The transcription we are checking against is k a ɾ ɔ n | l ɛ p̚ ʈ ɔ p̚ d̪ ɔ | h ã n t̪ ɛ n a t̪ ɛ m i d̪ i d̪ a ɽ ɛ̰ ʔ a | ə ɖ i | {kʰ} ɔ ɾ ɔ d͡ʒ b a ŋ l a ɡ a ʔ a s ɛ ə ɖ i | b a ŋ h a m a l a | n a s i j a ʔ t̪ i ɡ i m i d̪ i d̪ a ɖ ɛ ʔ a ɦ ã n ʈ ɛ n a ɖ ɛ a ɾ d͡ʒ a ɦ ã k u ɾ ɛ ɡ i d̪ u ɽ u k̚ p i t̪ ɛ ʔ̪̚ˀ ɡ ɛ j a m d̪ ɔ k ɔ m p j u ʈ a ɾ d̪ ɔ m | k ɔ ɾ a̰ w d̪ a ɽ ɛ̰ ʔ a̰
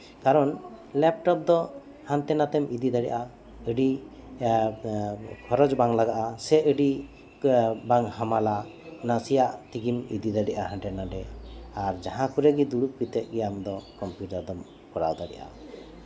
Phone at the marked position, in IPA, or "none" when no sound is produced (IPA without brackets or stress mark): kʰ